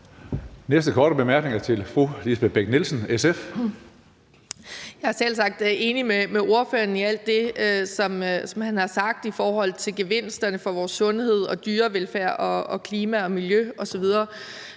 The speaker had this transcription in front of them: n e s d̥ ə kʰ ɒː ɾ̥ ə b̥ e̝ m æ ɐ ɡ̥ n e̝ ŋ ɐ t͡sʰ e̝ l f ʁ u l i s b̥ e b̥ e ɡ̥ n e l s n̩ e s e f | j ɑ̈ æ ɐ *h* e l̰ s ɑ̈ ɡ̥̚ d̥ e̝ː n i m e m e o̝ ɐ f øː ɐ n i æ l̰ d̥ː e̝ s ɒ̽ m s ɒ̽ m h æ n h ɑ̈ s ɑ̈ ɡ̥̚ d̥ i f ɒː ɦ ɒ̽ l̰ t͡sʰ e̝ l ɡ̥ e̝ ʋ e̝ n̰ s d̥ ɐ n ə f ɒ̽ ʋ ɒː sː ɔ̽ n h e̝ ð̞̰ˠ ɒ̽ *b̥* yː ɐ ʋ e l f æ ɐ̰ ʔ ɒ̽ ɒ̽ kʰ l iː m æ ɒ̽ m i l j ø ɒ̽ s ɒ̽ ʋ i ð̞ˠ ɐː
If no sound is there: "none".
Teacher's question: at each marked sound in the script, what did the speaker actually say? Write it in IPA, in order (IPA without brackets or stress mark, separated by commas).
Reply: s, d̥